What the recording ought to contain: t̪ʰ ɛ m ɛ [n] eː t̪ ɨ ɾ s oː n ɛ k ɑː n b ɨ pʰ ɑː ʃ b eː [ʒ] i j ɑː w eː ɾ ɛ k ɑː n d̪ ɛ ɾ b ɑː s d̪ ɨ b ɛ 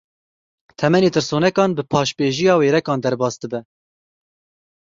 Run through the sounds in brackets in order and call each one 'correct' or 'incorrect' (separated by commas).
correct, correct